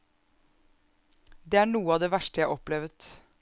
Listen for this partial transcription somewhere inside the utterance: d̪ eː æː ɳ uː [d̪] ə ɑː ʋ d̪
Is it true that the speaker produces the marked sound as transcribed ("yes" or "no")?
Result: no